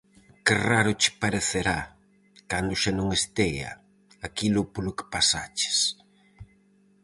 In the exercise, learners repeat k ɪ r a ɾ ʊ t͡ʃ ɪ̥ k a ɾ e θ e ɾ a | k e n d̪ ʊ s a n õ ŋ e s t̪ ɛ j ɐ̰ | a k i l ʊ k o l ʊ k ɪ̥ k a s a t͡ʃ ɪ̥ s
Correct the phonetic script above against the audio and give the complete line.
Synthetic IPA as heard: k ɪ r a ɾ ʊ t͡ʃ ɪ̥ p a ɾ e θ e ɾ a | k a n d̪ ʊ ʃ a n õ ŋ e s t̪ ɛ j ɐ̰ | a k i l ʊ p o l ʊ k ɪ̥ p a s a t͡ʃ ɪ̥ s